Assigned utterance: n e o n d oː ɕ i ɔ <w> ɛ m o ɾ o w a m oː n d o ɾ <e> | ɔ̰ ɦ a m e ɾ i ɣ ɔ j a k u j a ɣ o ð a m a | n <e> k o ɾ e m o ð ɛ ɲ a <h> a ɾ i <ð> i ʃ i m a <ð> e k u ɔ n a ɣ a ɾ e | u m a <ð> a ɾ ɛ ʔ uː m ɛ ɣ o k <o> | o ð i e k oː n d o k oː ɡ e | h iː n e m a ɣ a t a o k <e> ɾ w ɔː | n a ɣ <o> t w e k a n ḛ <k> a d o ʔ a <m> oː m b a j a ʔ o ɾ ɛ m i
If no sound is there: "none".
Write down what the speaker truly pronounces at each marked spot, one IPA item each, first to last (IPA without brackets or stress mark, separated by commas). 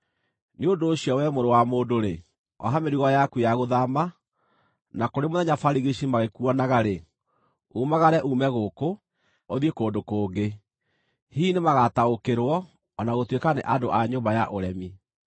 w, e, a, f, ɣ, ɣ, ɣ, o, e, o, ʔ, ɲ